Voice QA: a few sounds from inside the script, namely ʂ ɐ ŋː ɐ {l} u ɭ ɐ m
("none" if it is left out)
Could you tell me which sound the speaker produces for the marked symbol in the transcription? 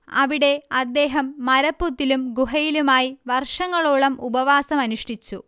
ɭ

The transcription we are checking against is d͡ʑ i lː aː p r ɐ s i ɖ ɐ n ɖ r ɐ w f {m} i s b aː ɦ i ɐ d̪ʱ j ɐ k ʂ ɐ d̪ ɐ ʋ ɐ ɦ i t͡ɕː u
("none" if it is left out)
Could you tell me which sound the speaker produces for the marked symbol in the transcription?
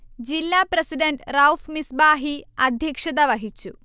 m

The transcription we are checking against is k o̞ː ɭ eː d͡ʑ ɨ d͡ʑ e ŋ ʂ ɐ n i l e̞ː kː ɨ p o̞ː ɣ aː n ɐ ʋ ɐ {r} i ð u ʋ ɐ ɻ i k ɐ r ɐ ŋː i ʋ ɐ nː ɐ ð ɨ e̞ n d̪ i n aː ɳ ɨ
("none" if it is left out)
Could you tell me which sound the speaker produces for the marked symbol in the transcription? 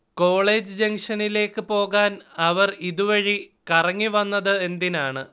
r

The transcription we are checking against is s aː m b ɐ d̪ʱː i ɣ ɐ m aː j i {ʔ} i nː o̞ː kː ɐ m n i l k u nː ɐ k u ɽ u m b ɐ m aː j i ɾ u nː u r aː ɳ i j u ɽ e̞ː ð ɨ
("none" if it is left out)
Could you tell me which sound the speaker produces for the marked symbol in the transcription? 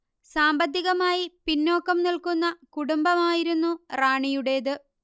p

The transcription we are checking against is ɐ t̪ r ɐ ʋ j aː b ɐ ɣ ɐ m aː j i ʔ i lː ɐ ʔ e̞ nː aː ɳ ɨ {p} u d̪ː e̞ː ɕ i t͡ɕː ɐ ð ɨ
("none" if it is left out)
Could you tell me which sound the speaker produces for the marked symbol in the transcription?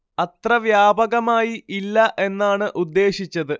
ʔ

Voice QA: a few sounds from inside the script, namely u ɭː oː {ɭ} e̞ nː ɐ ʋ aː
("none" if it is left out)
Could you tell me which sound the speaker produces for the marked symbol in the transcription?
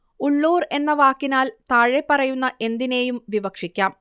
r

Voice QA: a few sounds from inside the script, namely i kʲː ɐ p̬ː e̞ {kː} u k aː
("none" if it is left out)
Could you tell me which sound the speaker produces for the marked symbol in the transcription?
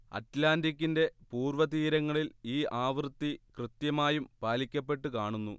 ʈː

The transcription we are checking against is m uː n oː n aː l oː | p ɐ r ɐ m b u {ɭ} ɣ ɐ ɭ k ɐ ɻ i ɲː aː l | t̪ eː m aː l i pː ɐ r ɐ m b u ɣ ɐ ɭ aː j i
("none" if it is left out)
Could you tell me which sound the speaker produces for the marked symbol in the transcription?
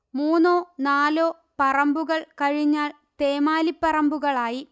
none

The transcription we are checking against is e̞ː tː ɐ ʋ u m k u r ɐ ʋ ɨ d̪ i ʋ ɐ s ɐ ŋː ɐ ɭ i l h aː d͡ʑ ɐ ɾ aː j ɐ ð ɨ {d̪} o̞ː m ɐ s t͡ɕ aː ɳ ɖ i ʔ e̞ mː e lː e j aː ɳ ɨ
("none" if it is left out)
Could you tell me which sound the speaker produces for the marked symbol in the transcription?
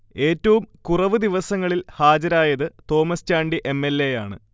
t̪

